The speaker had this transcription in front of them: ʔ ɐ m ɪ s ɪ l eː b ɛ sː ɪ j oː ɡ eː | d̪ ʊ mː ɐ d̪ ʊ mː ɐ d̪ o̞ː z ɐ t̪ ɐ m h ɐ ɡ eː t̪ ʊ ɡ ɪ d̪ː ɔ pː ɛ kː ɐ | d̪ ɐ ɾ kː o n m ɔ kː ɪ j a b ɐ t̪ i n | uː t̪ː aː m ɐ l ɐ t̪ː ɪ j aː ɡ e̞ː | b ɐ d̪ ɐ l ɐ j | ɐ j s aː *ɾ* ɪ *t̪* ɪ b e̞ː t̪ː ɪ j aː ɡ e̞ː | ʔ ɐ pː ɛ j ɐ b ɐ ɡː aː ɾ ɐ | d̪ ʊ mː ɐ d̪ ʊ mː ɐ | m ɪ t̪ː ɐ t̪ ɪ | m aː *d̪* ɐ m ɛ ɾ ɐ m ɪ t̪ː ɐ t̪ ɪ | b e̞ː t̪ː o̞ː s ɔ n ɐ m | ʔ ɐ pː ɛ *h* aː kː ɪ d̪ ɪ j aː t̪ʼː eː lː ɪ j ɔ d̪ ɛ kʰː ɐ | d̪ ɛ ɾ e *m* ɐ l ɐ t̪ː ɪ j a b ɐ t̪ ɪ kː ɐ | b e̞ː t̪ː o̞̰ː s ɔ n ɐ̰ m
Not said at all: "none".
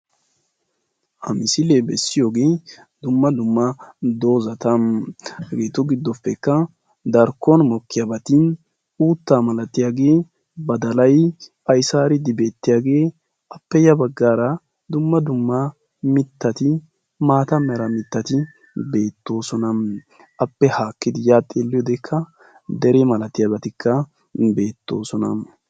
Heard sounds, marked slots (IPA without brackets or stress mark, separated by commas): ɾ, d̪, t̪, h, m